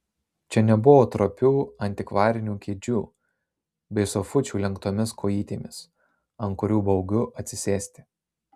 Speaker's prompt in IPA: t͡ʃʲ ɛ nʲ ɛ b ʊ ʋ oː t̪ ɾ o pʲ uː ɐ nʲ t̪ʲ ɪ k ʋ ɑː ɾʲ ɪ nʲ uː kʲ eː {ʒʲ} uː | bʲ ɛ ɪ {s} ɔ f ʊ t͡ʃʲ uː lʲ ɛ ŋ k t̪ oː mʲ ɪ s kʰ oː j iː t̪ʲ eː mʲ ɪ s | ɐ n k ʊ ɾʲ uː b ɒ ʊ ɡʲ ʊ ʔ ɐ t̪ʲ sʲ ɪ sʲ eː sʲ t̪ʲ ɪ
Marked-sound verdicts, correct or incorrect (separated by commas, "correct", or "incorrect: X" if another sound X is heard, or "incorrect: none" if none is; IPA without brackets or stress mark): incorrect: d͡ʒʲ, correct